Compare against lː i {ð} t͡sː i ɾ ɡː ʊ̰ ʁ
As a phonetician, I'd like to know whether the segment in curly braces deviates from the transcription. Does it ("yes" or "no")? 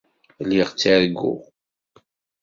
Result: yes